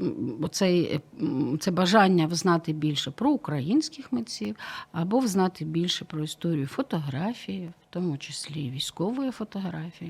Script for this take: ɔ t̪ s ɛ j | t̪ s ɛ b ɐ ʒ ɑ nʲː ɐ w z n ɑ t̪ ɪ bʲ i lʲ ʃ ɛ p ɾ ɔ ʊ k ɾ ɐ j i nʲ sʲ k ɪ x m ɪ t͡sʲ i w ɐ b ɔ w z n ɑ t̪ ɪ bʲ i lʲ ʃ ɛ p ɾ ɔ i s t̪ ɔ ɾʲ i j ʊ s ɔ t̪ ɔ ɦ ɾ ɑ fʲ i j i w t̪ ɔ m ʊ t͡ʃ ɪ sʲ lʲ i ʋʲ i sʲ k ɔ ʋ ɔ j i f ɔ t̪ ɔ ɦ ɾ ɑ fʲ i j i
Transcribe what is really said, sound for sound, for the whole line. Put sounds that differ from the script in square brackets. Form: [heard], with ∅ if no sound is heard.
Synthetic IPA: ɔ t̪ s ɛ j | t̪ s ɛ b ɐ ʒ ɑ nʲː ɐ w z n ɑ t̪ ɪ bʲ i lʲ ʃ ɛ p ɾ ɔ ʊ k ɾ ɐ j i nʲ sʲ k ɪ x m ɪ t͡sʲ i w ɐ b ɔ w z n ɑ t̪ ɪ bʲ i lʲ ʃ ɛ p ɾ ɔ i s t̪ ɔ ɾʲ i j ʊ [f] ɔ t̪ ɔ ɦ ɾ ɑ fʲ i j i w t̪ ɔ m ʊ t͡ʃ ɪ sʲ lʲ i ʋʲ i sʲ k ɔ ʋ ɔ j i f ɔ t̪ ɔ ɦ ɾ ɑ fʲ i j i